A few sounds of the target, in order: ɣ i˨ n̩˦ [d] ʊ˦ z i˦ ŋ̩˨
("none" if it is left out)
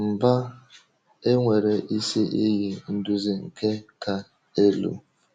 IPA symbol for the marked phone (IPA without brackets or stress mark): d